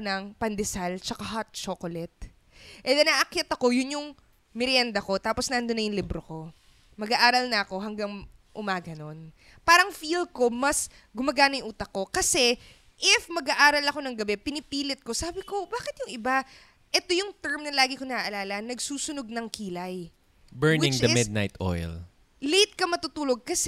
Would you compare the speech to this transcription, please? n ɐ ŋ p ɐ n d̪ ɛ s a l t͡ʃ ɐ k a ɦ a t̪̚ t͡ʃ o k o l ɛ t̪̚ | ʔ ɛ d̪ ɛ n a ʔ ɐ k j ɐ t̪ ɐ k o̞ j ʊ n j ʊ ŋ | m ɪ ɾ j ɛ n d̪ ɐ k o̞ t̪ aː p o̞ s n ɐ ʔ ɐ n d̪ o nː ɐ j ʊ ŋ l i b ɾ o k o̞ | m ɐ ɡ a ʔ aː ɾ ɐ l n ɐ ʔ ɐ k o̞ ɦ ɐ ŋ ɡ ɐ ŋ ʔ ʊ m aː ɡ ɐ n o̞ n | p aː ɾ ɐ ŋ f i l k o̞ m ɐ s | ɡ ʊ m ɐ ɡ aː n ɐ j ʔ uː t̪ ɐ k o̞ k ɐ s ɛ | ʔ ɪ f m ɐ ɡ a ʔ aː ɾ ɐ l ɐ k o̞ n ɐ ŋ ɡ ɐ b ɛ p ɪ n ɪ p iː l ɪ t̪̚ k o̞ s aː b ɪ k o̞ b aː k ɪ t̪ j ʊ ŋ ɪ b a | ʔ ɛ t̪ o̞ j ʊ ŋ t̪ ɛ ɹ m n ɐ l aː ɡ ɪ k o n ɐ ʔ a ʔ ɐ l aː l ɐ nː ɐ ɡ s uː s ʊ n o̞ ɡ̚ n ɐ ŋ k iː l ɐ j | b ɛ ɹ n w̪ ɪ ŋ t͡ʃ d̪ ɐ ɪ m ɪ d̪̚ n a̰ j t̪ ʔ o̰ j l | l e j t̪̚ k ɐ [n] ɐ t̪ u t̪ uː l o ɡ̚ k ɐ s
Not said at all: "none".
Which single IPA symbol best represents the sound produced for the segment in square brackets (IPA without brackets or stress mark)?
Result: m